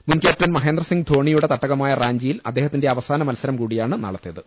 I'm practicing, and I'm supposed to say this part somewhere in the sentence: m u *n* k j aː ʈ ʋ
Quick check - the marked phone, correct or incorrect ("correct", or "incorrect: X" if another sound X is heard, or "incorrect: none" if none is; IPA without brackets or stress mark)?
correct